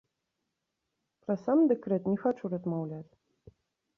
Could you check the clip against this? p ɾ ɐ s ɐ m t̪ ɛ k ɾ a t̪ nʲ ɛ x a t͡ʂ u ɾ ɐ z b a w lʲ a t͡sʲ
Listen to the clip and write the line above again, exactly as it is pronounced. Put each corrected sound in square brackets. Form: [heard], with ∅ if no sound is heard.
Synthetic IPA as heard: p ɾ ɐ s [a] m [d̪] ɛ k ɾ [ɛ] t̪ nʲ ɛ x a t͡ʂ u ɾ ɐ z [m] a w lʲ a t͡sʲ

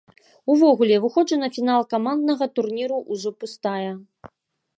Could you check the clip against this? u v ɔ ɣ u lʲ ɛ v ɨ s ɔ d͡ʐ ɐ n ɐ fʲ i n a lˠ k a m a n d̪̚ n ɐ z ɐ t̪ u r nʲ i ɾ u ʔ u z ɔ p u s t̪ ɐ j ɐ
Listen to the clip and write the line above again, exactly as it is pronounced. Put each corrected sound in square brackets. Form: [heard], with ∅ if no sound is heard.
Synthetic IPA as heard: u v ɔ ɣ u lʲ ɛ v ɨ [x] ɔ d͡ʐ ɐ n ɐ fʲ i n a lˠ k a m a n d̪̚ n ɐ [ɣ] ɐ t̪ u r nʲ i ɾ u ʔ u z ɔ p u s t̪ [a] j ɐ

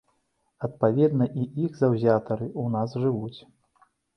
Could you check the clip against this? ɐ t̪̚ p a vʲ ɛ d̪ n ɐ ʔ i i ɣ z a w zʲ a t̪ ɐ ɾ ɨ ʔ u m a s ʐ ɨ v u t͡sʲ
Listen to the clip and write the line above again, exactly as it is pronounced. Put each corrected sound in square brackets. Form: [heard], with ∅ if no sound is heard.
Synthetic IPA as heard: ɐ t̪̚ p a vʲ ɛ d̪ n ɐ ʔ i i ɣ z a w zʲ a t̪ ɐ ɾ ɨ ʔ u [n] a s ʐ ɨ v u t͡sʲ

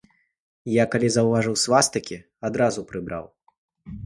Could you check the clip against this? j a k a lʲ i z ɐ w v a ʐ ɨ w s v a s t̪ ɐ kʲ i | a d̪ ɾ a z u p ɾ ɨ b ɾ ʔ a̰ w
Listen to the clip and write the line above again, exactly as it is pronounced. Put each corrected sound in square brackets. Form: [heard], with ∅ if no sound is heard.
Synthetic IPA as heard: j a k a lʲ i z ɐ w v a ʐ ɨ w s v a s t̪ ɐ kʲ i | a d̪ ɾ a z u p ɾ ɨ b ɾ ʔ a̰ w

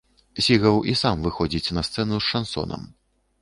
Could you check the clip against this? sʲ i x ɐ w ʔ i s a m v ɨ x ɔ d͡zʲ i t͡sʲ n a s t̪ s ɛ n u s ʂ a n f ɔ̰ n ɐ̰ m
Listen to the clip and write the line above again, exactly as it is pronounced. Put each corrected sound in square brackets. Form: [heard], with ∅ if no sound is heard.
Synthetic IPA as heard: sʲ i [ɣ] ɐ w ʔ i s a m v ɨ x ɔ d͡zʲ i t͡sʲ n [ɐ] s t̪ s ɛ n u s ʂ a n [s] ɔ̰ n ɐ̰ m

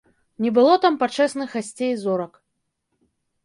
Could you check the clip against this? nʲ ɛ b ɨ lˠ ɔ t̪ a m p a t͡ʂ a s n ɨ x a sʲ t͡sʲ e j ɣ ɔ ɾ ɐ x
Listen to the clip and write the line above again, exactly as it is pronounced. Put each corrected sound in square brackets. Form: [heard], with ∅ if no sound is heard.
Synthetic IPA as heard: nʲ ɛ b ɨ lˠ ɔ t̪ a m p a t͡ʂ [ɛ] s n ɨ x a sʲ t͡sʲ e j [z] ɔ ɾ ɐ [k]

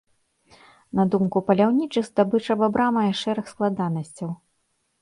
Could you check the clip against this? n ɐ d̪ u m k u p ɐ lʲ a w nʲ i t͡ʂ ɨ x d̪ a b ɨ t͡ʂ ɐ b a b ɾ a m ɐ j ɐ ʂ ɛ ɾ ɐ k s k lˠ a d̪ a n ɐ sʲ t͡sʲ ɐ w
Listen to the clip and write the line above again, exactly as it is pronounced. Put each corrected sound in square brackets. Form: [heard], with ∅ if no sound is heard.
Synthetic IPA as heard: n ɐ d̪ u m k u p ɐ lʲ a w nʲ i t͡ʂ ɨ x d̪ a b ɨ t͡ʂ ɐ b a b ɾ a m ɐ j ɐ ʂ ɛ ɾ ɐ [x] s k lˠ a d̪ a n ɐ sʲ t͡sʲ ɐ w

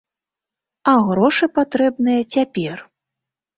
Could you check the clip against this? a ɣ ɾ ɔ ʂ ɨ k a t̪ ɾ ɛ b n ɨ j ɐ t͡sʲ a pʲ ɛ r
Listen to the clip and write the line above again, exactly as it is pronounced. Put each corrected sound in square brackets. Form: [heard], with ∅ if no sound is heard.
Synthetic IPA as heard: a ɣ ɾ ɔ ʂ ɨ [p] a t̪ ɾ ɛ b n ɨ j ɐ t͡sʲ a pʲ ɛ r

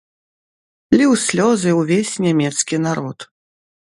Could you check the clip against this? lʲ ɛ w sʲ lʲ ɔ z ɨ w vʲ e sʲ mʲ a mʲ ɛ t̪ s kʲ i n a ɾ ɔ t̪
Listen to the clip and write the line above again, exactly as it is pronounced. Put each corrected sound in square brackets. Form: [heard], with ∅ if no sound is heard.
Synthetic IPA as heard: lʲ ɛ w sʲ lʲ ɔ z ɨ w vʲ e sʲ [nʲ] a mʲ ɛ t̪ s kʲ i n a ɾ ɔ t̪

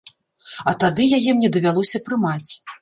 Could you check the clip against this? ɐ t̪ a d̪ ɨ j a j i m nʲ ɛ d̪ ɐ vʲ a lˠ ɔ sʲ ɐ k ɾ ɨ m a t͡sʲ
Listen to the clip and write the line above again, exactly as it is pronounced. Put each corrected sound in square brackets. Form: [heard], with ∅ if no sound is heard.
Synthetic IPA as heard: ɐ t̪ a d̪ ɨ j a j [ɛ] m nʲ ɛ d̪ ɐ vʲ a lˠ ɔ sʲ ɐ [p] ɾ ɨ m a t͡sʲ

